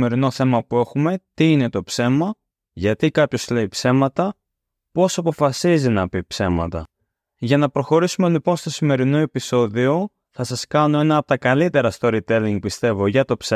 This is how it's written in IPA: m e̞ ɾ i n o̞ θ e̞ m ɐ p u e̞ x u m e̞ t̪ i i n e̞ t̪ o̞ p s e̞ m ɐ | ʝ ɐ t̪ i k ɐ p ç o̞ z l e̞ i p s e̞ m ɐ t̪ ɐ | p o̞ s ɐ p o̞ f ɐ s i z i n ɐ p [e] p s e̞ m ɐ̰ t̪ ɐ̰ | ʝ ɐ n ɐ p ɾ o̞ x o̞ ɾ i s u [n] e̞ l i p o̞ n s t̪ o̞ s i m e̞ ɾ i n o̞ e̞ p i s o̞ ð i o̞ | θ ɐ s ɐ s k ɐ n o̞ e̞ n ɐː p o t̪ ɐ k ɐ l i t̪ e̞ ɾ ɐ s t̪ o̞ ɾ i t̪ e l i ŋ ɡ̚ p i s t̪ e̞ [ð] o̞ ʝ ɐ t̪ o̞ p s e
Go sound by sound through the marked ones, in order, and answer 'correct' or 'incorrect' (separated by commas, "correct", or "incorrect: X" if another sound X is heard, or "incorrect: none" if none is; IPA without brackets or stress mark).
incorrect: i, incorrect: m, incorrect: v